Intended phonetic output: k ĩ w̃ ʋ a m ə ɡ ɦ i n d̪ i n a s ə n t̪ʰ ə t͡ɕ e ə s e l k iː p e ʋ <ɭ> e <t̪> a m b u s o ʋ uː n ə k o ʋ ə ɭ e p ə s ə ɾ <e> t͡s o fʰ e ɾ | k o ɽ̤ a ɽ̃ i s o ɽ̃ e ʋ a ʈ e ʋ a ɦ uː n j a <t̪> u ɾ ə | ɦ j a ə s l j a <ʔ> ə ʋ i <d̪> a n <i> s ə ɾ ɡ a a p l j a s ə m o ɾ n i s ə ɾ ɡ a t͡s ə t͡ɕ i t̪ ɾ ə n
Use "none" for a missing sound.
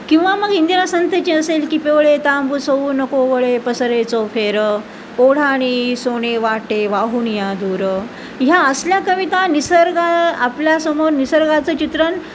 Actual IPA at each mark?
ɭ, t̪, e, d̪, k, t̪, i

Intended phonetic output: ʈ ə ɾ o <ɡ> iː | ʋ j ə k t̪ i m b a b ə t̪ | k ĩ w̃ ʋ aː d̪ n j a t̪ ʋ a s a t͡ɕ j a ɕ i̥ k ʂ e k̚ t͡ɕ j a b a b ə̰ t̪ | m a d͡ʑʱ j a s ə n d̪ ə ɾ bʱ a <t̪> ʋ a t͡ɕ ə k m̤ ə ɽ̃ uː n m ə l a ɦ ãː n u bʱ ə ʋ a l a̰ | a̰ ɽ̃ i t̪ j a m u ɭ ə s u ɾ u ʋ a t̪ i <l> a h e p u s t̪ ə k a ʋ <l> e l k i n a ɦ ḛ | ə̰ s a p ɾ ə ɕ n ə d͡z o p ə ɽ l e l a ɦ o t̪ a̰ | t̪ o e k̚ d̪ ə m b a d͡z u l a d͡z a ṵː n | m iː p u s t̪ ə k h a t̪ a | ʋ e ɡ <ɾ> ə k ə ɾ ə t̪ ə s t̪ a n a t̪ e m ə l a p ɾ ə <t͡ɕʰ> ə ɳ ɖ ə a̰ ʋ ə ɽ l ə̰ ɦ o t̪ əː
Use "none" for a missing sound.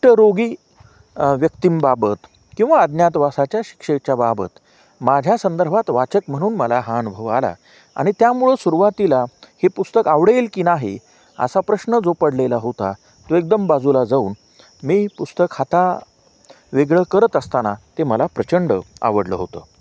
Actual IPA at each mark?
ɡ, t̪, l, ɽ, ɭ, t͡ɕ

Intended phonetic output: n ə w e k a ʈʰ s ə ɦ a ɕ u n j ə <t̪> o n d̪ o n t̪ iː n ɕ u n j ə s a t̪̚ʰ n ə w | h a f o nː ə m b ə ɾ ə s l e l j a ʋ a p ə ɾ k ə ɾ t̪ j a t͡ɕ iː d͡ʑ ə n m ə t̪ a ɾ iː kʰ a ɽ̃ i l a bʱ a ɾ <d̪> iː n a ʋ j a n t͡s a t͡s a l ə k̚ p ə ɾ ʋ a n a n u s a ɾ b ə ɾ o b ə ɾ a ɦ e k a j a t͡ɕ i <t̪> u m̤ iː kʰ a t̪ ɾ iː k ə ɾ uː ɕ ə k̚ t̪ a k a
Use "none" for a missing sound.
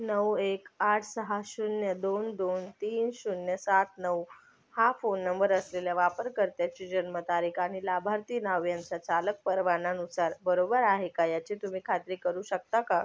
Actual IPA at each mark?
d̪, t̪, t̪

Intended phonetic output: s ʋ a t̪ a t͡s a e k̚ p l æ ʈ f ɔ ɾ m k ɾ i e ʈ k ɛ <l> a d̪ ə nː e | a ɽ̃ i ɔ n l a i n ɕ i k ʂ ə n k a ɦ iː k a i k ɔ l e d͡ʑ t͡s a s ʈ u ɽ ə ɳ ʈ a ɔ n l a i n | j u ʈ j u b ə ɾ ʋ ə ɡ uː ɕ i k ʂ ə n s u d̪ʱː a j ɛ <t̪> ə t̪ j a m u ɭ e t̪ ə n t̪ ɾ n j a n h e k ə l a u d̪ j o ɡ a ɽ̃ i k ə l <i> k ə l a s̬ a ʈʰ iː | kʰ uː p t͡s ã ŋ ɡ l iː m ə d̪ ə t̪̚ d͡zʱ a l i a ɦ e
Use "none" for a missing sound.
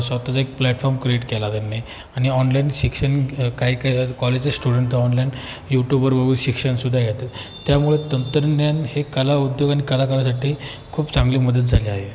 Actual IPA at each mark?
l, t̪, a

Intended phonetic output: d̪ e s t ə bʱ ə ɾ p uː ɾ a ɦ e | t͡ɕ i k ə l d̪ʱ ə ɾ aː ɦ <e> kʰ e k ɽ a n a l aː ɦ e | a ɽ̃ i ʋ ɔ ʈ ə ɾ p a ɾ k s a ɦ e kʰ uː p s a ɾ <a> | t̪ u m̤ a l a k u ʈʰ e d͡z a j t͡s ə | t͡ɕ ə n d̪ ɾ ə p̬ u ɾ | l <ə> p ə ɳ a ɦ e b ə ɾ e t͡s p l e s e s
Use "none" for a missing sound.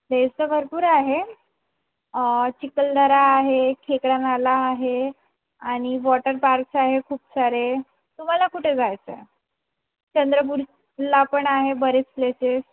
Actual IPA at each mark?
e, e, a

